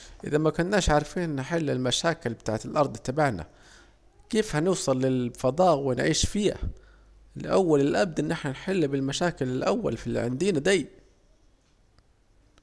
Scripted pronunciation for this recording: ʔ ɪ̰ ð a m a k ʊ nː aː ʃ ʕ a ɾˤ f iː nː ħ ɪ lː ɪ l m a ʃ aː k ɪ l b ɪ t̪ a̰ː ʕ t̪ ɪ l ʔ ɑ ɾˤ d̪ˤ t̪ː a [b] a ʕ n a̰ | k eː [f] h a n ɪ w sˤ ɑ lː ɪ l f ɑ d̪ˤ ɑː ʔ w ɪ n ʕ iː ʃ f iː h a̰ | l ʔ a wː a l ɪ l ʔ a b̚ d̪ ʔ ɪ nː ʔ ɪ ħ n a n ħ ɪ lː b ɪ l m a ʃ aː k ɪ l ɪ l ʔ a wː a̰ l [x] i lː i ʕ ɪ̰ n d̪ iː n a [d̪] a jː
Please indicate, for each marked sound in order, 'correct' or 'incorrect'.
correct, correct, incorrect: f, correct

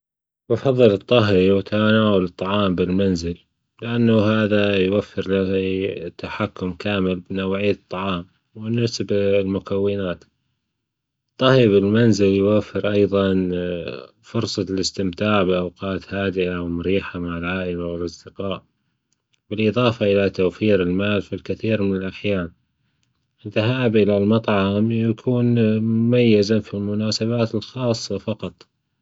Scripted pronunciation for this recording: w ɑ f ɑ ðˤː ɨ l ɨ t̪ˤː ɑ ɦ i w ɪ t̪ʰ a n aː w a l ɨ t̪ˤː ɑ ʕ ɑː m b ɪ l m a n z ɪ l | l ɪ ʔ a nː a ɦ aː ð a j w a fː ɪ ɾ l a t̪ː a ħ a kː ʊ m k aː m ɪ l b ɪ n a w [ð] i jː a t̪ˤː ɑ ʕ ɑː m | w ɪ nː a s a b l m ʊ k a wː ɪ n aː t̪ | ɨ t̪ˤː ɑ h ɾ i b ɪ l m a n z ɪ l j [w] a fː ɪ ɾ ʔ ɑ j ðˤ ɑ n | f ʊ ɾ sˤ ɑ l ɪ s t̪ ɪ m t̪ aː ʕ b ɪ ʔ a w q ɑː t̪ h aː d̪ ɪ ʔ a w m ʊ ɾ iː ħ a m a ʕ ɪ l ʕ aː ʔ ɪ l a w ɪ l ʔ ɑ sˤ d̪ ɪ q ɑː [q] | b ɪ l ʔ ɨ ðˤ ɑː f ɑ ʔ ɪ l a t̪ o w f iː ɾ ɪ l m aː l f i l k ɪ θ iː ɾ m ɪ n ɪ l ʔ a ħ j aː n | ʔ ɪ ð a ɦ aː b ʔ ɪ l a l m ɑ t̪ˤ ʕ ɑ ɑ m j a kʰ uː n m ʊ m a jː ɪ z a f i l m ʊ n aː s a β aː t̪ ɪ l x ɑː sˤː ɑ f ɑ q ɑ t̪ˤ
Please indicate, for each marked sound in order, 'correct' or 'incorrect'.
incorrect: ʕ, correct, incorrect: ʔ

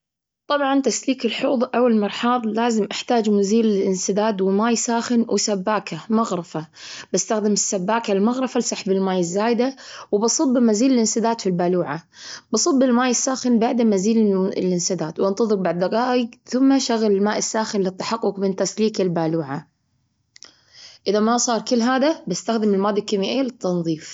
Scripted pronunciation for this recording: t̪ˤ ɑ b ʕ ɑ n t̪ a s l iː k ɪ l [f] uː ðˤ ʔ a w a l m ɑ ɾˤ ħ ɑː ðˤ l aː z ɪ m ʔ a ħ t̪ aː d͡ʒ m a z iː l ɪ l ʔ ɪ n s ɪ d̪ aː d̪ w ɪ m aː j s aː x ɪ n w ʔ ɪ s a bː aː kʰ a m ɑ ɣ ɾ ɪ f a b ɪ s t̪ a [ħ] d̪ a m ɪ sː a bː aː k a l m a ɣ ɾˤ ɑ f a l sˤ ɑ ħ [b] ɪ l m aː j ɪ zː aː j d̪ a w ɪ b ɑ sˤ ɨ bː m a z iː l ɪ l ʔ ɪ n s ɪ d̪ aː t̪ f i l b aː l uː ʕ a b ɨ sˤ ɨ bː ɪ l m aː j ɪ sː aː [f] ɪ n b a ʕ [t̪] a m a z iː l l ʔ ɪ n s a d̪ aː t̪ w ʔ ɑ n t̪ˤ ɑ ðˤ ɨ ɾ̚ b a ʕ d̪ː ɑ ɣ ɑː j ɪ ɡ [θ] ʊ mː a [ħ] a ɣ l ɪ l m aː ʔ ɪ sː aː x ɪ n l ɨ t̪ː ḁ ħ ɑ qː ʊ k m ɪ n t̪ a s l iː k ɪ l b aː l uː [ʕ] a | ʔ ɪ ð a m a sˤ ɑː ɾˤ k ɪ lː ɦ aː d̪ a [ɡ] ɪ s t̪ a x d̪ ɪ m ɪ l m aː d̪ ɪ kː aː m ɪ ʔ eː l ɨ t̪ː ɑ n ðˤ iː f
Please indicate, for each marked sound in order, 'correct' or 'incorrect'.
incorrect: ħ, incorrect: x, correct, incorrect: x, incorrect: d̪, correct, incorrect: ʃ, correct, incorrect: b

